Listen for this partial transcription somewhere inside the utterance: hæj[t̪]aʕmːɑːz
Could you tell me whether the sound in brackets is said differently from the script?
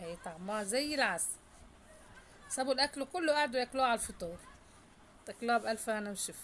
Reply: no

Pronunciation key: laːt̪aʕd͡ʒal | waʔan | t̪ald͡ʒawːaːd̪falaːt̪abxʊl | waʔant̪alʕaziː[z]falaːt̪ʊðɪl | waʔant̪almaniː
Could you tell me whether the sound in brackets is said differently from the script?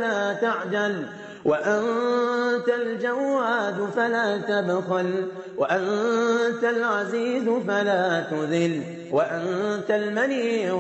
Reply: no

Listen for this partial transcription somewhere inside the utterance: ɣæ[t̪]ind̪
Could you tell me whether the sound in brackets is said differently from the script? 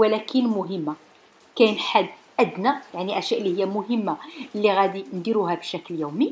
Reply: yes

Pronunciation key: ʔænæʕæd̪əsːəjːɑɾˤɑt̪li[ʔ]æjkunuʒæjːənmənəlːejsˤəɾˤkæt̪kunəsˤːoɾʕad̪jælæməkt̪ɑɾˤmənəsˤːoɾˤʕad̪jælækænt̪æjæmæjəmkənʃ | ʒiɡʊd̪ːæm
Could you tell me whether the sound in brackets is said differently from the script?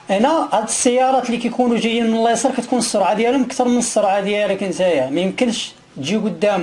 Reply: yes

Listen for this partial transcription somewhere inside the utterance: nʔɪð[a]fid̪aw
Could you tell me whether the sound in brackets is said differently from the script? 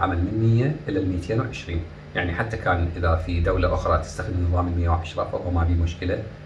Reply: no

